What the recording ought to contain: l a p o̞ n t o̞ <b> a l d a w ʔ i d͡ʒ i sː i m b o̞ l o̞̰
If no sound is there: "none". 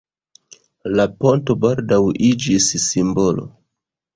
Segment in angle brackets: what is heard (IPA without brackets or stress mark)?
b